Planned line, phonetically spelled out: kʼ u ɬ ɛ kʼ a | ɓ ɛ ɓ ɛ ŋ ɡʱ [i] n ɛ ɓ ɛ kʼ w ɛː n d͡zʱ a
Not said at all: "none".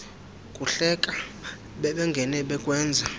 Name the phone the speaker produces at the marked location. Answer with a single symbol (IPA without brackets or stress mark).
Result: ɛ